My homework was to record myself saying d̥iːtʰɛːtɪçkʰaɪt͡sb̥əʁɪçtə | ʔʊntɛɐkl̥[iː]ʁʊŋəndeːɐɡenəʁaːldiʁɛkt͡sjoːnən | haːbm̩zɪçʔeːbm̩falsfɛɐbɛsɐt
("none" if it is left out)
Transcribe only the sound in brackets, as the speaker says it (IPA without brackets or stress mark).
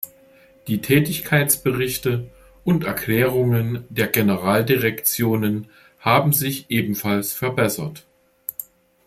ɛː